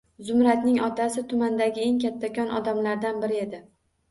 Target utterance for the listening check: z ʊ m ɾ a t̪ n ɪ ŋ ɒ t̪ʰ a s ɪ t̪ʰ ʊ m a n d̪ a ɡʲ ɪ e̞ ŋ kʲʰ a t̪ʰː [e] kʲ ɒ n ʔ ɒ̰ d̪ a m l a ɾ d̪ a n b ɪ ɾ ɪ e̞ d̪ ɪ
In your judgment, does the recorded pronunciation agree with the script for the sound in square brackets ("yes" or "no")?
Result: no